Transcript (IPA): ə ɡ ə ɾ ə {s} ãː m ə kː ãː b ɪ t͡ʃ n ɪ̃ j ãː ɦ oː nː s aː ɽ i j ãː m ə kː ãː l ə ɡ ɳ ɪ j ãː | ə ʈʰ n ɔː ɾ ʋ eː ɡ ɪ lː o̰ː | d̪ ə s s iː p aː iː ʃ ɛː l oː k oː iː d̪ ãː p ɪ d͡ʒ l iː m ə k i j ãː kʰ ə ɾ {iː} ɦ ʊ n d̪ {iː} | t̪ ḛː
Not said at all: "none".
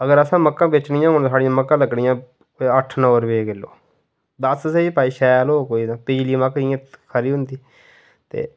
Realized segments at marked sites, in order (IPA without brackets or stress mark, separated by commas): s, iː, iː